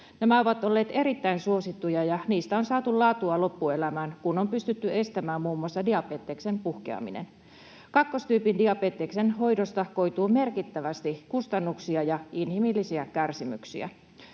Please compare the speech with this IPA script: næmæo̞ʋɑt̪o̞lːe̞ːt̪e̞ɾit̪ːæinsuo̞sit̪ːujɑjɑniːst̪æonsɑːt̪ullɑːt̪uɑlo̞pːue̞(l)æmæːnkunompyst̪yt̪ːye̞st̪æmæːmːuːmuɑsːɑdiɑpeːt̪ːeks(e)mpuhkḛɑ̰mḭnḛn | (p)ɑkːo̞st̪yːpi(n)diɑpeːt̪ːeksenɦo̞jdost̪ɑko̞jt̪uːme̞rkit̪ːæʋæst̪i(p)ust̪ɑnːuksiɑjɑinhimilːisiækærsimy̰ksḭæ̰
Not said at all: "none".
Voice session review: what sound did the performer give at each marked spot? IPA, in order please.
l, e, k, n, k

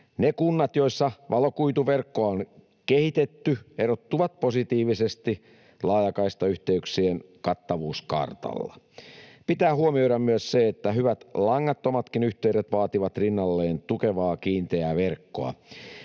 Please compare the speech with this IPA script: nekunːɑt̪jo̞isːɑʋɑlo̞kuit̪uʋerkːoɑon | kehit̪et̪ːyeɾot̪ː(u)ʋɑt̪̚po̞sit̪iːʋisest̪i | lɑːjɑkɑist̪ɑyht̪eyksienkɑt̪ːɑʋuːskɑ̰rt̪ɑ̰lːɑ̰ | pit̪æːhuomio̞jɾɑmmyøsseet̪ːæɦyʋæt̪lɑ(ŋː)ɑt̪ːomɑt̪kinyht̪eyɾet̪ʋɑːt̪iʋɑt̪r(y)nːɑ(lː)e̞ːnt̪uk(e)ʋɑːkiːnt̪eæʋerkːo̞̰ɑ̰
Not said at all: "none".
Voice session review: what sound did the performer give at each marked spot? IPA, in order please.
u, ŋː, i, lː, e

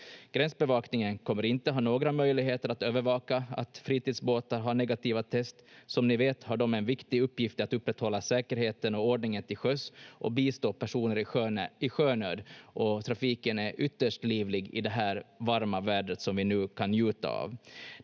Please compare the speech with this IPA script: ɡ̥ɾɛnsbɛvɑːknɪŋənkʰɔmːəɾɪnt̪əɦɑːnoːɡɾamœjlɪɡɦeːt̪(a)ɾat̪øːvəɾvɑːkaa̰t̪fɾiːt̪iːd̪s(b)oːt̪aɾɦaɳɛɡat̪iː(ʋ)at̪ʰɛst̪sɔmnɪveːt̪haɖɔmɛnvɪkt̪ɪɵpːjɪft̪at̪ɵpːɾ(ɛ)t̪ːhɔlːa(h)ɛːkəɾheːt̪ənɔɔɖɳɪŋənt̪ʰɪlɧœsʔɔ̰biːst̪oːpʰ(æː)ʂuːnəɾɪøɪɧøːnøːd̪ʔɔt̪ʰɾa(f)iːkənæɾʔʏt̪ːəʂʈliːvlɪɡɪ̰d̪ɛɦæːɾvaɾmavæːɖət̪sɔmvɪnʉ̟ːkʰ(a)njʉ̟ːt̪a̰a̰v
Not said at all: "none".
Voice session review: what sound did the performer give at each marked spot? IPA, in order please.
ə, b, v, ɛ, s, æ, f, a

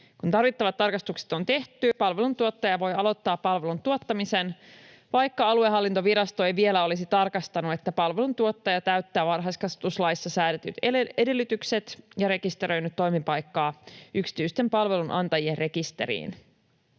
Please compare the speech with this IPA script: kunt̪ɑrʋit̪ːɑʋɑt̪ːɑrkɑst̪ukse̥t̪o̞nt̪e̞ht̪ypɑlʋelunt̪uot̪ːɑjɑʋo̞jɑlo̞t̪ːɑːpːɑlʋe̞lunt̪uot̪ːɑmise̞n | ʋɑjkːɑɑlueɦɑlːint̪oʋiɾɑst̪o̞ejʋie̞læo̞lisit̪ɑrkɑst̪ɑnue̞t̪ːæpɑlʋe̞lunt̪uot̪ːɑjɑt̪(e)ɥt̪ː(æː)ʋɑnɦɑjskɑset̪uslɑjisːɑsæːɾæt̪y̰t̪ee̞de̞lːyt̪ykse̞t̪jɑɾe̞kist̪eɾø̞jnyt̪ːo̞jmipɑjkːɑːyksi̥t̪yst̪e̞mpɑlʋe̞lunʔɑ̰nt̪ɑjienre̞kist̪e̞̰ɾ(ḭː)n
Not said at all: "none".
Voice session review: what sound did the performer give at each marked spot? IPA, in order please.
æ, æː, ḭː

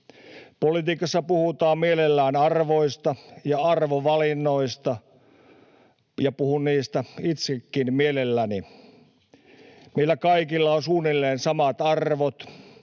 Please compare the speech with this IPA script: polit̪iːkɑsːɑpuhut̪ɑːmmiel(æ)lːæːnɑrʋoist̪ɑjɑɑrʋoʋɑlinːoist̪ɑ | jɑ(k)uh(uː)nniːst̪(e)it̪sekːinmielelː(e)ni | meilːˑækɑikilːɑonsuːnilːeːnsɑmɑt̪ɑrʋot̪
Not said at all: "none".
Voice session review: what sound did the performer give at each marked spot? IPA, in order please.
e, p, u, æ, æ

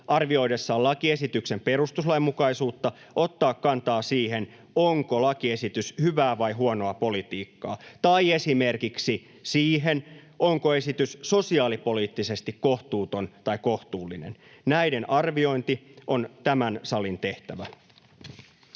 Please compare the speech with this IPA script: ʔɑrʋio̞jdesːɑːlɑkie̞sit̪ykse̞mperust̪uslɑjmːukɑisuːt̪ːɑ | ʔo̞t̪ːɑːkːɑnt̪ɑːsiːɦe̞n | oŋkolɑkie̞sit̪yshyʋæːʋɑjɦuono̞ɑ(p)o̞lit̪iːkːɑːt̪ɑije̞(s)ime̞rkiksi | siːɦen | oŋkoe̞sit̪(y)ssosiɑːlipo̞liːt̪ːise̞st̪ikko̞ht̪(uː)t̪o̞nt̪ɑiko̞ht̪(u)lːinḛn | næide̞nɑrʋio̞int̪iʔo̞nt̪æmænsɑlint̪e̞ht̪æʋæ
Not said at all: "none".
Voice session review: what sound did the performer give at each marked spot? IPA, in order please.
p, s, y, uː, uː

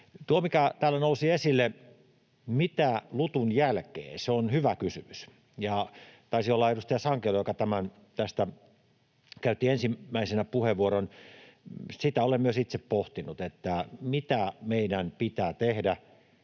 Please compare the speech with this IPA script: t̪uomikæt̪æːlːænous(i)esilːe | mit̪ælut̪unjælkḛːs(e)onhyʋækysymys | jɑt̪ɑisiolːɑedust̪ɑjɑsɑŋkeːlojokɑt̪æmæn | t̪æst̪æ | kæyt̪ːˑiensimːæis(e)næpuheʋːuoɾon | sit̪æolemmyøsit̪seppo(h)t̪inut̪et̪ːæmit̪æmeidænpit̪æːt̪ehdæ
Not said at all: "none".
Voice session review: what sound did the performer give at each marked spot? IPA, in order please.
i, e, e, h

